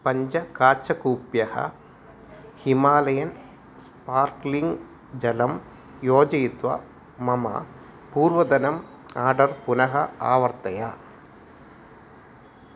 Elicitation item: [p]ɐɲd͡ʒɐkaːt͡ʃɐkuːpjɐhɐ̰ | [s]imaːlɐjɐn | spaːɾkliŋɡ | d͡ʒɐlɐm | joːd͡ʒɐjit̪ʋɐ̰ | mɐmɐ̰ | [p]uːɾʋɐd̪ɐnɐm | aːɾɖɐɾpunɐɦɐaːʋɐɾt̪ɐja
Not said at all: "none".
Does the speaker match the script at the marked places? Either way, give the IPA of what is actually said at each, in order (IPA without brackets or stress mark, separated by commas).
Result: p, h, p